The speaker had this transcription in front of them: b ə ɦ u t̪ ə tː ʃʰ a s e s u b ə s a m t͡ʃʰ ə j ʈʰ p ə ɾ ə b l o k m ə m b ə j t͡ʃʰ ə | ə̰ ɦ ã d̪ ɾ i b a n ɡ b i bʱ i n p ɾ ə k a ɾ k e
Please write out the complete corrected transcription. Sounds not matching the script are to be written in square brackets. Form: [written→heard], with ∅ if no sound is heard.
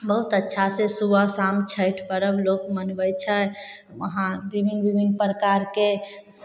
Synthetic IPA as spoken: b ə ɦ u t̪ ə tː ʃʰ a s e s u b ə s a m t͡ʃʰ ə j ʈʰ p ə ɾ ə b l o k m ə [m→n] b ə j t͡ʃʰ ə | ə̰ ɦ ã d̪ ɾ i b [a→i] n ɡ b i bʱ i n p ɾ ə k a ɾ k e